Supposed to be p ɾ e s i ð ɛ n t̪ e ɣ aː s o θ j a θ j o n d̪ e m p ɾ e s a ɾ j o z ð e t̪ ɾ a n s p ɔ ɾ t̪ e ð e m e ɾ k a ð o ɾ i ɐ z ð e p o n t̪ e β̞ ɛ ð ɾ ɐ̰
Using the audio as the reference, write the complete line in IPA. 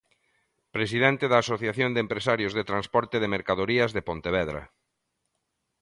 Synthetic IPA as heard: p ɾ e s i ð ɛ n t̪ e ð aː s o θ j a θ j o n d̪ e m p ɾ e s a ɾ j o z ð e t̪ ɾ a n s p ɔ ɾ t̪ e ð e m e ɾ k a ð o ɾ i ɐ z ð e p o n t̪ e β̞ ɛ ð ɾ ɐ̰